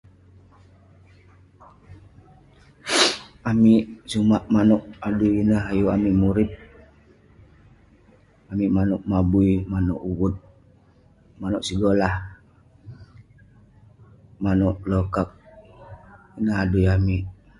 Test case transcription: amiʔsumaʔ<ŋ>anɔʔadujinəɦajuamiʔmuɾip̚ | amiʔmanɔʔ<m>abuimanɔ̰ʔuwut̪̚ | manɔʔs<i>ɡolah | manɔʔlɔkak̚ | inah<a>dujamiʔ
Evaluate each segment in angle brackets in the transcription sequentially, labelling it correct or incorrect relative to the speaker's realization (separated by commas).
incorrect, correct, correct, correct